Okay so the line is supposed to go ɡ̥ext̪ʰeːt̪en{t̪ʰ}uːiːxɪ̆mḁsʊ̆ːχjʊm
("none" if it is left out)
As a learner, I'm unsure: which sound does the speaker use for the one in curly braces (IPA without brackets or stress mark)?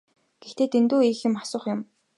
t̪